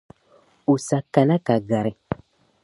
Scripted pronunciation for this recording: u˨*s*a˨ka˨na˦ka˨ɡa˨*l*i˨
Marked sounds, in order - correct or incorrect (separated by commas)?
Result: correct, incorrect